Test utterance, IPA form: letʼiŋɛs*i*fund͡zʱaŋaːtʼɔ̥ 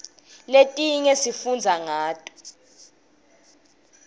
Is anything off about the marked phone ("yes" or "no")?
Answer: no